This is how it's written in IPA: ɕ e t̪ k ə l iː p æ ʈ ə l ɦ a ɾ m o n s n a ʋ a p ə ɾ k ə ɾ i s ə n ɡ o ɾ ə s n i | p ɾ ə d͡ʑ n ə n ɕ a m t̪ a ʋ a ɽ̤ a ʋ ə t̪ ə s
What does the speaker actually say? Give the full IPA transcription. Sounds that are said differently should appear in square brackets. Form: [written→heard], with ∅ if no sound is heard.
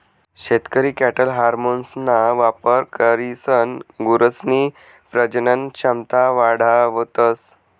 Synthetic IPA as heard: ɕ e t̪ k ə [l→ɾ] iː [p→k] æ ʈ ə l ɦ a ɾ m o n s n a ʋ a p ə ɾ k ə ɾ i s ə n ɡ [o→u] ɾ ə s n i | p ɾ ə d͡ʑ n ə n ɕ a m t̪ a ʋ a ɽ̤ a ʋ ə t̪ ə s

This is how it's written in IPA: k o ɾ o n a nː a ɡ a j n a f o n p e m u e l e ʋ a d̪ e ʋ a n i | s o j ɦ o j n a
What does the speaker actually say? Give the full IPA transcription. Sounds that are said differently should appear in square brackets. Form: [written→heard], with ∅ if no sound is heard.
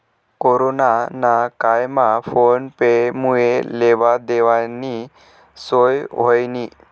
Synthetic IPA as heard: k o ɾ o n a [nː→n] a [ɡ→k] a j [n→m] a f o n p e m u e l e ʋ a d̪ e ʋ a n i | s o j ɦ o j n [a→i]

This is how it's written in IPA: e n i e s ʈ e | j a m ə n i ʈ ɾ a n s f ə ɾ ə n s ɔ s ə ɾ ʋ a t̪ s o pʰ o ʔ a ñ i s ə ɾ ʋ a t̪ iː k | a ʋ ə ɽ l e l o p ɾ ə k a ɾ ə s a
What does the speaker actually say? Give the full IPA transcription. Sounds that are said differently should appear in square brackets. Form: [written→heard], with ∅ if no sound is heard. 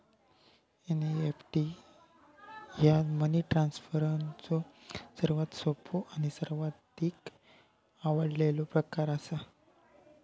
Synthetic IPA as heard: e n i e [s→f] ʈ [e→i] | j a m ə n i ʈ ɾ a n s f ə ɾ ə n [s→t͡s] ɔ s ə ɾ ʋ a t̪ s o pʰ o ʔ a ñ i s ə ɾ ʋ a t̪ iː k | a ʋ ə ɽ l e l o p ɾ ə k a ɾ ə s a

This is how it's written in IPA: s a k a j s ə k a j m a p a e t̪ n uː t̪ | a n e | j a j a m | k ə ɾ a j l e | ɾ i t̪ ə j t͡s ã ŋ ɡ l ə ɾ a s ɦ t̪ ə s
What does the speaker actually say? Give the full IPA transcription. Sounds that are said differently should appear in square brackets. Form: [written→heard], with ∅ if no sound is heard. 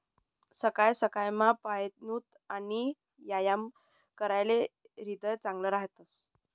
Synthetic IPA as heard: s [a→ə] k a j s ə k a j m a p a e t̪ n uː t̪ | a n [e→i] | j a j a m | k ə ɾ a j l e | ɾ i [t̪→d̪] ə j t͡s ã ŋ ɡ l ə ɾ a [s→∅] ɦ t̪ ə s

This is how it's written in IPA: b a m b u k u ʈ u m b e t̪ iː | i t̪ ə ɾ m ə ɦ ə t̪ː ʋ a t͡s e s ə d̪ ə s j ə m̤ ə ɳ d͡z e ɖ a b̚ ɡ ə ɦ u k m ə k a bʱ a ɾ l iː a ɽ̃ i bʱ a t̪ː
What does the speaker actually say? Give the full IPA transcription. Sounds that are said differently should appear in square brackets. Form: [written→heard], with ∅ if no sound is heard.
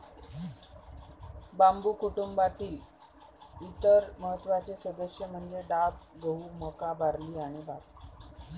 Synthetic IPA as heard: b a m b u k u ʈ u m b [e→a] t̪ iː | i t̪ ə ɾ m ə ɦ ə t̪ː ʋ a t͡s e s ə d̪ ə s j ə m̤ ə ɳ d͡z e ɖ a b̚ ɡ ə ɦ u [k→∅] m ə k a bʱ a ɾ l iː a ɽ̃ i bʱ a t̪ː

